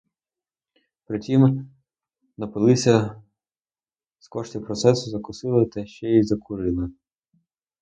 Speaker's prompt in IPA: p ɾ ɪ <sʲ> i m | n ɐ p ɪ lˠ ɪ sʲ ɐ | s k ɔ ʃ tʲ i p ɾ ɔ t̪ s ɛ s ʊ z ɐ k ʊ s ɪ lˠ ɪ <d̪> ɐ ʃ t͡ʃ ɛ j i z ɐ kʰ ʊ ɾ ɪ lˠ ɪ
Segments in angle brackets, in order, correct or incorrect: incorrect, incorrect

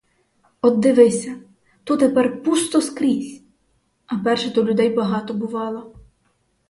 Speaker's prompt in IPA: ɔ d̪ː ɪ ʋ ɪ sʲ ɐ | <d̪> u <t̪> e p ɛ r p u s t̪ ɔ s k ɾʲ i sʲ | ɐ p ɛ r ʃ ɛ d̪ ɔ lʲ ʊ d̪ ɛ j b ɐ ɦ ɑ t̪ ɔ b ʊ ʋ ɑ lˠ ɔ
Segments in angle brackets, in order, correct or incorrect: incorrect, correct

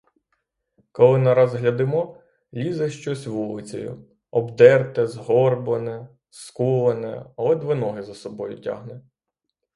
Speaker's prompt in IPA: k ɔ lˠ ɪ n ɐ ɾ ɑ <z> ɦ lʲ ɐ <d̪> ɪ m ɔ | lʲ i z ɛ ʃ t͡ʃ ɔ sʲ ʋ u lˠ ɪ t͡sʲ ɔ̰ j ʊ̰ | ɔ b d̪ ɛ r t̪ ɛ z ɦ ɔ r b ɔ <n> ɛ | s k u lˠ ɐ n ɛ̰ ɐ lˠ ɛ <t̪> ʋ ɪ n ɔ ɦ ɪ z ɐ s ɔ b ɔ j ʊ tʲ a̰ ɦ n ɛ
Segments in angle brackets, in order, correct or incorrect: correct, correct, correct, incorrect

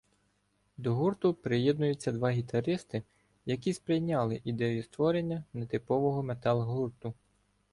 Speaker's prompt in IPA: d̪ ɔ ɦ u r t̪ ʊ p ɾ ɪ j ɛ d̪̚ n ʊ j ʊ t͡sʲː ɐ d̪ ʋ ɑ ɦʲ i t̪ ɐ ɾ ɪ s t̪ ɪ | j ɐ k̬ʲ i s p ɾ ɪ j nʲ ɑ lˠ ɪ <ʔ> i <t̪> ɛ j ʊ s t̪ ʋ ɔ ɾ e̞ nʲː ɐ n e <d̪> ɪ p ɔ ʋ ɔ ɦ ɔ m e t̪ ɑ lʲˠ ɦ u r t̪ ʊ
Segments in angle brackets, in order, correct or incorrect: correct, incorrect, incorrect

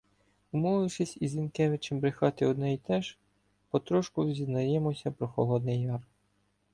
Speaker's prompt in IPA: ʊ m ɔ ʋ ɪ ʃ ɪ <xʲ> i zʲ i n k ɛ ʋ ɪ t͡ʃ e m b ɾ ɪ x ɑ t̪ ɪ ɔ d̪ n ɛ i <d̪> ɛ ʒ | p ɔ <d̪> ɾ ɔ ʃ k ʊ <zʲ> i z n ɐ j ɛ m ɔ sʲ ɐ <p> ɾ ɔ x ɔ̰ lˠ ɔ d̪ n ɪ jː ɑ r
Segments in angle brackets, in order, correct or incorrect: incorrect, incorrect, incorrect, correct, correct

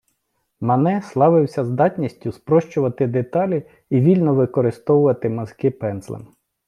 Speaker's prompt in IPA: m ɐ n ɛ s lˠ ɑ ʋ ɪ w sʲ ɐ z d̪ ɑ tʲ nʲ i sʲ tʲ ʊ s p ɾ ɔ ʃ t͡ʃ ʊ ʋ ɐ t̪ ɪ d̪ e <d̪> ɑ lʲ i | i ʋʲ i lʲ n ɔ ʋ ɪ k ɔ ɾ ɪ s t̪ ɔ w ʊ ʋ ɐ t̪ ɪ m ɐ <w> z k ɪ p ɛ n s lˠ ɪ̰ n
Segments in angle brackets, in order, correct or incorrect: incorrect, incorrect

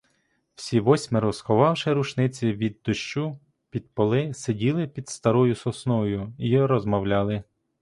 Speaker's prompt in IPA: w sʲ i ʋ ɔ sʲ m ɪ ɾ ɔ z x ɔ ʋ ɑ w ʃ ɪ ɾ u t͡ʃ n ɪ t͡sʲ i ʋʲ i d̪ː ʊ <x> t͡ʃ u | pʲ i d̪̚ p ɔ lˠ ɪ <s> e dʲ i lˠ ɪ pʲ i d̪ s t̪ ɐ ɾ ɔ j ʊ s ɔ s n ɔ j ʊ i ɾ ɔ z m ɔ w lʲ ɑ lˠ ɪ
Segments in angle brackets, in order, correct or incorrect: incorrect, correct

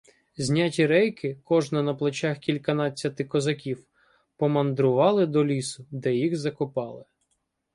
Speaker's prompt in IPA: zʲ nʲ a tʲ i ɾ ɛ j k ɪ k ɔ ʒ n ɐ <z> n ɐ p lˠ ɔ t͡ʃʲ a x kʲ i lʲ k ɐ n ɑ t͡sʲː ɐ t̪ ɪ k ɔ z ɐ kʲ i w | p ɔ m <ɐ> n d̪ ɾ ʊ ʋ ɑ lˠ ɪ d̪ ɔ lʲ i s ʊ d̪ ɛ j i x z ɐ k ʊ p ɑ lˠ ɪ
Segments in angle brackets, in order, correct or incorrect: incorrect, correct

